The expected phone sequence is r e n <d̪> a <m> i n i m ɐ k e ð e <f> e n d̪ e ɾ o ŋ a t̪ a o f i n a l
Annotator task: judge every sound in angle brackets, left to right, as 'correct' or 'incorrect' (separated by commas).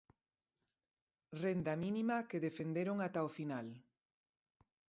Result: correct, correct, correct